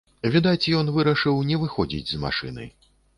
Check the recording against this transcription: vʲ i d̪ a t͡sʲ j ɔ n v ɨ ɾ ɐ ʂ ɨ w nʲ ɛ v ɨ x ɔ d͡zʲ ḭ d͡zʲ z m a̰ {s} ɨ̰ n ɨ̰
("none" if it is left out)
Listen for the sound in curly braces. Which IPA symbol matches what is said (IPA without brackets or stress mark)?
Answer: ʂ